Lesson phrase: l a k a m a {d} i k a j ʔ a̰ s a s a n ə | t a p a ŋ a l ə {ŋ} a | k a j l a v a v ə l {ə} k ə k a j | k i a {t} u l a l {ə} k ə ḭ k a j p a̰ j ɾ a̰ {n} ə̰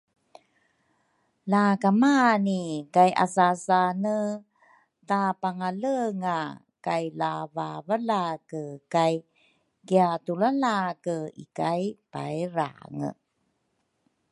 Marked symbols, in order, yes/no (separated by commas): no, yes, no, yes, no, no